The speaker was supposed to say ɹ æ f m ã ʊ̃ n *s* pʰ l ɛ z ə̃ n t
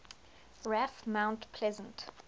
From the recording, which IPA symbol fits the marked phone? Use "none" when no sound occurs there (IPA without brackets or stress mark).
t